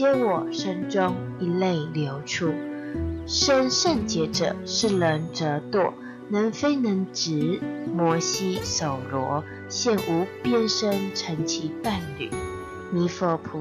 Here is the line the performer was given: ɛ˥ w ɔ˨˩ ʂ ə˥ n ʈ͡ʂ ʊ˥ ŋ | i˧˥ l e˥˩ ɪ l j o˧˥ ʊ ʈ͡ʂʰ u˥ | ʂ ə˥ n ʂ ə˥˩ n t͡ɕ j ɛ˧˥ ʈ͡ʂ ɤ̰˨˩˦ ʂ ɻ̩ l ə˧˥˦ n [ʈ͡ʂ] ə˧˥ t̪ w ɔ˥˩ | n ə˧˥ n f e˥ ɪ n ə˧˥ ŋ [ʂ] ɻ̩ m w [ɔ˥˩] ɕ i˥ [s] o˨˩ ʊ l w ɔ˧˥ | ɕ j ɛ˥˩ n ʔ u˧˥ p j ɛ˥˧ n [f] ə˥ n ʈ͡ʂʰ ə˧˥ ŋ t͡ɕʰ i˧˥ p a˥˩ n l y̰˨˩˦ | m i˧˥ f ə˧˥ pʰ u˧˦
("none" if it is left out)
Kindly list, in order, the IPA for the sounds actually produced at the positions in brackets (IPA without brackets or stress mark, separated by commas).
ʈ͡ʂ, ʈ͡ʂ, ɔ˧˥, s, ʂ